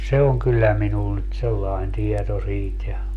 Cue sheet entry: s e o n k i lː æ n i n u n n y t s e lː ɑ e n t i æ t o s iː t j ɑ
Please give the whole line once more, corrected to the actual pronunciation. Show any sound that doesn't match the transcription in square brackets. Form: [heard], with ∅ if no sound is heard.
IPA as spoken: s e o [ŋ] k [y] lː æ [m] i n u n n y t s e lː ɑ e n t i [e] t o s iː t j ɑ